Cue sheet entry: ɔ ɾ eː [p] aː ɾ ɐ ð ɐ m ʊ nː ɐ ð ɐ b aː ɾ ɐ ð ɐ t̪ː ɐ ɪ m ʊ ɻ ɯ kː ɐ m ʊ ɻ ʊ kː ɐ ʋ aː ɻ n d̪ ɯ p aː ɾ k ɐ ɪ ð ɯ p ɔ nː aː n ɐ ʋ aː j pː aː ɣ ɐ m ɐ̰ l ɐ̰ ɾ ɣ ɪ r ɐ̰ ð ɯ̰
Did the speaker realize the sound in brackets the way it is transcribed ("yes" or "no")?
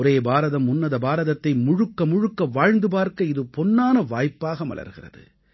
no